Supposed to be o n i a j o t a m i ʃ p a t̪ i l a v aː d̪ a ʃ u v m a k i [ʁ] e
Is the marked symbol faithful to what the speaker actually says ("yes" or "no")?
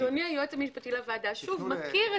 yes